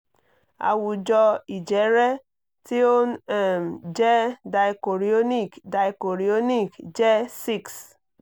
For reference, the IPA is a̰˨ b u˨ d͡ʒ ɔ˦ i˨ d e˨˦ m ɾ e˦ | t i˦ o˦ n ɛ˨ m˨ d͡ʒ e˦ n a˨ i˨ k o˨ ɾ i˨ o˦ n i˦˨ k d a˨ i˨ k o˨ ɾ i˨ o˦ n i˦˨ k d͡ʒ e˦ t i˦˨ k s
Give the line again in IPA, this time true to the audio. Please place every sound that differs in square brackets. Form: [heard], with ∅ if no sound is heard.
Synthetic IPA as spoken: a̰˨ [w] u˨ d͡ʒ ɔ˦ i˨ [d͡ʒ] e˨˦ [∅] ɾ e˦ | t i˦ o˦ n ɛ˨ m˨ d͡ʒ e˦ [d] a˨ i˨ k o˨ ɾ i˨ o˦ n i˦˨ k d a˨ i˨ k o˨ ɾ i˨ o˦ n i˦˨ k d͡ʒ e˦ [s] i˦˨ k s